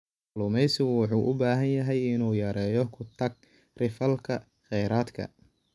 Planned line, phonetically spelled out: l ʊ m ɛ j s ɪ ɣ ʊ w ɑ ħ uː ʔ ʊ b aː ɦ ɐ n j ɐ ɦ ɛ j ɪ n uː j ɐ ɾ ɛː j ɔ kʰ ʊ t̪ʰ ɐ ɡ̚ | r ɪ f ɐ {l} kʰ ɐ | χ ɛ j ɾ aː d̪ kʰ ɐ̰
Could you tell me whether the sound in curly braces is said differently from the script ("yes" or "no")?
no